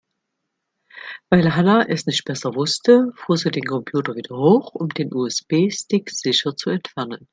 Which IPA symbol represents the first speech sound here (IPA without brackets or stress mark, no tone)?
v